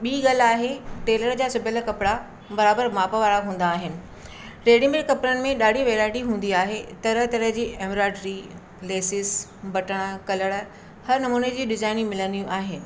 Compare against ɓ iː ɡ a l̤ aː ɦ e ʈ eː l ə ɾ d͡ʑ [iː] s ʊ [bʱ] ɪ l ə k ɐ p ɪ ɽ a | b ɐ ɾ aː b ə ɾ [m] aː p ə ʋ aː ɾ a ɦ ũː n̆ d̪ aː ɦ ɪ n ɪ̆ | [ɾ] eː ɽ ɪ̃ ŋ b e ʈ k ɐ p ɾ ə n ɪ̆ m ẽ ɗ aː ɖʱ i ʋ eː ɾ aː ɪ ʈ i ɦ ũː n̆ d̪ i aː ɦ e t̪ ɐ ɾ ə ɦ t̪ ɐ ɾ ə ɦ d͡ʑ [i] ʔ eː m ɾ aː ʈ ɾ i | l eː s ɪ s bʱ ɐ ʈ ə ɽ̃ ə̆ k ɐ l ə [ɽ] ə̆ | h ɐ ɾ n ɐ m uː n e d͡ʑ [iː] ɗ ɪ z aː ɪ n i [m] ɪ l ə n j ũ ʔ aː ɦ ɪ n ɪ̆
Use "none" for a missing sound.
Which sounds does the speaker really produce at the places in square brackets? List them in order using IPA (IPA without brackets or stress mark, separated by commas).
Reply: aː, bʱ, m, ɾ, iː, ɽ, iː, m